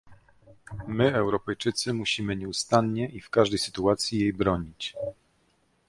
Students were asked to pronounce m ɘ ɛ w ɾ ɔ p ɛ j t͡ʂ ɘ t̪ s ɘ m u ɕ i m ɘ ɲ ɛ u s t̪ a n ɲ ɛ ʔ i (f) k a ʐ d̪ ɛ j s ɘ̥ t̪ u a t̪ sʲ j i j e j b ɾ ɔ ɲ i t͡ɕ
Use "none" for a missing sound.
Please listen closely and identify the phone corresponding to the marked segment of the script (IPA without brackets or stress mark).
f